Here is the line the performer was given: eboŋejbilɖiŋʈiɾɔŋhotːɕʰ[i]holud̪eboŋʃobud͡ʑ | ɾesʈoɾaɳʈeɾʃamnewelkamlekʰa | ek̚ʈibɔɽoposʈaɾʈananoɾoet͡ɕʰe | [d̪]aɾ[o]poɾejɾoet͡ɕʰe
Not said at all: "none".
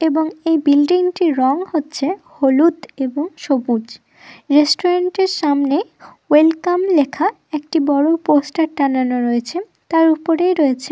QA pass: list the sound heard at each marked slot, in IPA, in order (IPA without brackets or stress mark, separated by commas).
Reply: e, t̪, u